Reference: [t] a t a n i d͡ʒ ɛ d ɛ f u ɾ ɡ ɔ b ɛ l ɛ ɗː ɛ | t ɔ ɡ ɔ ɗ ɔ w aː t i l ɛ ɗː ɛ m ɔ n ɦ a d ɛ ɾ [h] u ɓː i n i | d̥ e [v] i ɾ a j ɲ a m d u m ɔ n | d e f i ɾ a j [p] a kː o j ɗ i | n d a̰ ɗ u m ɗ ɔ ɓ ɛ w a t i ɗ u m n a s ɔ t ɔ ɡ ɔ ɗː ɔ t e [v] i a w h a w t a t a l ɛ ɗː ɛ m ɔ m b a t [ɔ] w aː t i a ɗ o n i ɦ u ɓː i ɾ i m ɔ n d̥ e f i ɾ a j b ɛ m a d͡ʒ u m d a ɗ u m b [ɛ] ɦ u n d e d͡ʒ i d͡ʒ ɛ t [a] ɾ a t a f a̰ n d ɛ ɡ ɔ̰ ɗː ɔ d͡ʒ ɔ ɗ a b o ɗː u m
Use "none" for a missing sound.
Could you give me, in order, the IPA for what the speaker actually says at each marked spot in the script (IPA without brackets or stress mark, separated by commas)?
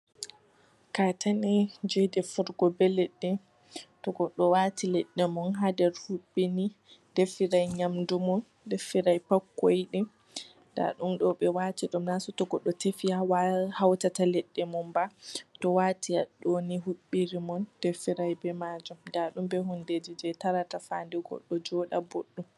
k, h, f, p, f, ɔ, ɛ, a